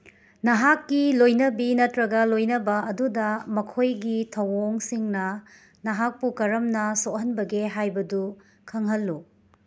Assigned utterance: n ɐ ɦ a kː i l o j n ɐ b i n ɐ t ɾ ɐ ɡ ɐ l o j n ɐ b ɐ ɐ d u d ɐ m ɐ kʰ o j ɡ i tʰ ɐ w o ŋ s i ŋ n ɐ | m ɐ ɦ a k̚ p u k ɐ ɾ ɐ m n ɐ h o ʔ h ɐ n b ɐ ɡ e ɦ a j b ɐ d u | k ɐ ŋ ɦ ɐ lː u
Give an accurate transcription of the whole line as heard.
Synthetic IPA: n ɐ ɦ a kː i l o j n ɐ b i n ɐ t ɾ ɐ ɡ ɐ l o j n ɐ b ɐ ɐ d u d ɐ m ɐ kʰ o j ɡ i tʰ ɐ w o ŋ s i ŋ n ɐ | n ɐ ɦ a k̚ p u k ɐ ɾ ɐ m n ɐ s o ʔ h ɐ n b ɐ ɡ e ɦ a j b ɐ d u | kʰ ɐ ŋ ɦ ɐ lː u